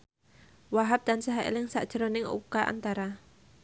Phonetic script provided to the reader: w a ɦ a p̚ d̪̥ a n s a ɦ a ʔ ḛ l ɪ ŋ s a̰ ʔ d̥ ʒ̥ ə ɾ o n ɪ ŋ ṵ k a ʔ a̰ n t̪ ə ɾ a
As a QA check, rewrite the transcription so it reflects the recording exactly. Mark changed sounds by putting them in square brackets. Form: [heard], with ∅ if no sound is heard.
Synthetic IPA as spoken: w a ɦ a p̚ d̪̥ a n s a ɦ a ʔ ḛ l ɪ ŋ s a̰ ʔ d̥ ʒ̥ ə ɾ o n ɪ ŋ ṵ k a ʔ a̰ n t̪ [a] ɾ a